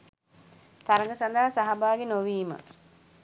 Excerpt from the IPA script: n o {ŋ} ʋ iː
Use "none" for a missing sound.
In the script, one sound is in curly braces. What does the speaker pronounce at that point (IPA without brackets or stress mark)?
none